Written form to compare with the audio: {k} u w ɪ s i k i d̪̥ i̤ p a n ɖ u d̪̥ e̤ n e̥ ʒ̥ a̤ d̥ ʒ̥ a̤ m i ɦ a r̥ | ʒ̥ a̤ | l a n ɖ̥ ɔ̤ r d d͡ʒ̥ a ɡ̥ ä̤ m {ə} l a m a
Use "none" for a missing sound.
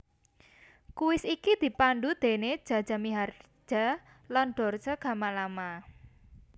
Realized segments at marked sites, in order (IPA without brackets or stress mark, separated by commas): k, a